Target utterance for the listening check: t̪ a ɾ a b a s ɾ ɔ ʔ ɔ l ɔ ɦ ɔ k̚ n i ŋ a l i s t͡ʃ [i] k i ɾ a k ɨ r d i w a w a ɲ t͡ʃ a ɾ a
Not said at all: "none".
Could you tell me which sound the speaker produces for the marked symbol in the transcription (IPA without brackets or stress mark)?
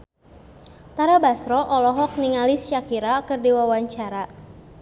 a